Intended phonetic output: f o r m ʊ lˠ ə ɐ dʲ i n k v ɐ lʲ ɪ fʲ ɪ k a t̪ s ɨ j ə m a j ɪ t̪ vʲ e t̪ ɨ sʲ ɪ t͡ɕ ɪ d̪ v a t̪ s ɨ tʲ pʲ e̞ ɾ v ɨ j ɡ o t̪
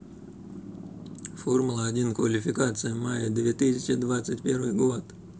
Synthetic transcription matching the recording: f o r m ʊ lˠ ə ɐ dʲ i n k v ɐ lʲ ɪ fʲ ɪ k a t̪ s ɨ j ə m a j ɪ d̪ vʲ e t̪ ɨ sʲ ɪ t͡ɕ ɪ d̪ v a t̪ s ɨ tʲ pʲ e̞ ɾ v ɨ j ɡ o t̪